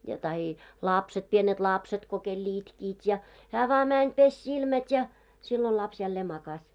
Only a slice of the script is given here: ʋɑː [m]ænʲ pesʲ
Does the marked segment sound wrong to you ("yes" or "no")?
no